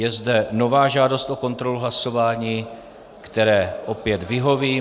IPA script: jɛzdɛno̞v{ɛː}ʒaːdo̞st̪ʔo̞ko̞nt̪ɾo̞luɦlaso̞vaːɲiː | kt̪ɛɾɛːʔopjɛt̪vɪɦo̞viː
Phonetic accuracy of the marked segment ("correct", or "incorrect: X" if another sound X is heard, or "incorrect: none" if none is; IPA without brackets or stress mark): incorrect: aː